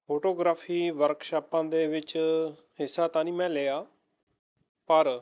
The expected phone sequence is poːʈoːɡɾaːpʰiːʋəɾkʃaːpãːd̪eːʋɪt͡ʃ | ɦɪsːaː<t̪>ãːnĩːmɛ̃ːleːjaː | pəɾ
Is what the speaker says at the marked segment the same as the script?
yes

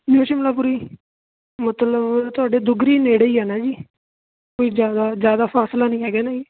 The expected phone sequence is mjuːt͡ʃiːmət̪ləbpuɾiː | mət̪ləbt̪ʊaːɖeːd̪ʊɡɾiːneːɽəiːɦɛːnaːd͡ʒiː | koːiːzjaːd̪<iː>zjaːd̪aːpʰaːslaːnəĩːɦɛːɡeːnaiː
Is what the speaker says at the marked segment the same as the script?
no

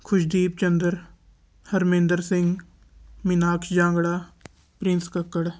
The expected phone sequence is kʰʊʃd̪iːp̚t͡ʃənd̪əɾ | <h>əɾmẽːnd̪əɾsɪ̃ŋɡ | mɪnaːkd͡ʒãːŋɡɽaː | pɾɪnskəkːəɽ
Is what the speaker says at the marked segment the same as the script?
yes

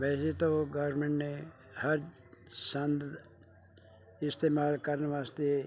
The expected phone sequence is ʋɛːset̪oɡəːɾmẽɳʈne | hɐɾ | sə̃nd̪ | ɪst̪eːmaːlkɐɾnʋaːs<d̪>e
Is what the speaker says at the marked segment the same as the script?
no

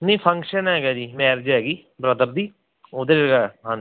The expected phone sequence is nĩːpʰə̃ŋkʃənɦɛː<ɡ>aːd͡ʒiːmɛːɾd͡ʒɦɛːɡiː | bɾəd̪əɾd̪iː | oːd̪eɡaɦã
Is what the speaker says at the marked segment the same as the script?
yes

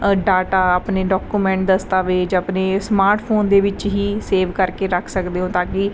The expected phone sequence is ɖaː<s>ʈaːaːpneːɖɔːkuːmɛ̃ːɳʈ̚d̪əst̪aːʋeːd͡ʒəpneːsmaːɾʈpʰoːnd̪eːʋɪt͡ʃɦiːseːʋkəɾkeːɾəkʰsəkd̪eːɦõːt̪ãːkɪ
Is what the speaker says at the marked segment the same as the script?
no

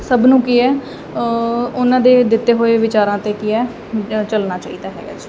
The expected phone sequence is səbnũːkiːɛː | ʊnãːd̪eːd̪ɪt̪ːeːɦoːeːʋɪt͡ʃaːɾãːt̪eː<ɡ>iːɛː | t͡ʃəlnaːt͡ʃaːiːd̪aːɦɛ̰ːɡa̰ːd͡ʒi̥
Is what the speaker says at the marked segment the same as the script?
no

